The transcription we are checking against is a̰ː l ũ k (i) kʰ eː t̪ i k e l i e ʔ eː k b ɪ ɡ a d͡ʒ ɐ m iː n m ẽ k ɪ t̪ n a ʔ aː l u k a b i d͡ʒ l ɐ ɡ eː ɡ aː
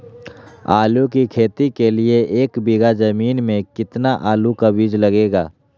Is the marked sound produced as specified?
yes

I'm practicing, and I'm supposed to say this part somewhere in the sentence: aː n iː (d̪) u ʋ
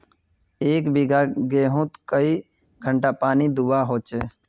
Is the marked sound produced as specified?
yes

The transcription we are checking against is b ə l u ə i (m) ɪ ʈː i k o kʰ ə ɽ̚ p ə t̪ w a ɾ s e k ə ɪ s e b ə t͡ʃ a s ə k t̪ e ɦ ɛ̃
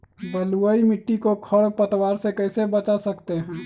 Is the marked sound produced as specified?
yes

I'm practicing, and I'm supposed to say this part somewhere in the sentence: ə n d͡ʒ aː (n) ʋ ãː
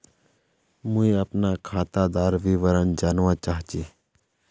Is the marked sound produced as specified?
yes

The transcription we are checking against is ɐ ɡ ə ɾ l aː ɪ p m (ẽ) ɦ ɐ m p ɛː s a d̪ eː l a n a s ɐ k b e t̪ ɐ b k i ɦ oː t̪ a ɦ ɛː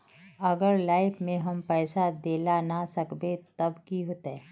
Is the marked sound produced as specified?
yes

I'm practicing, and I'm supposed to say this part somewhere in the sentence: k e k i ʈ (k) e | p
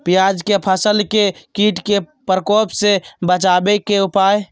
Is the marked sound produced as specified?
yes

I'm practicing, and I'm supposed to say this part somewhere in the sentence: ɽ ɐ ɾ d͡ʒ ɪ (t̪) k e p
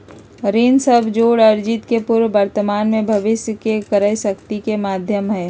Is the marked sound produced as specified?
yes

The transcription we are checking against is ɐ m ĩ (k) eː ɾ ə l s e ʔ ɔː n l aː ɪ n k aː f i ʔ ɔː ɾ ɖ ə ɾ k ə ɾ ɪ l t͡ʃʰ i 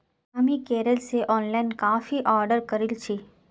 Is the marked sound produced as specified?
yes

